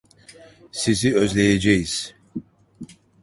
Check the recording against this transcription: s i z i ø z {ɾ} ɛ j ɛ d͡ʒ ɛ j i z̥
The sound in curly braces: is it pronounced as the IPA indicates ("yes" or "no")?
no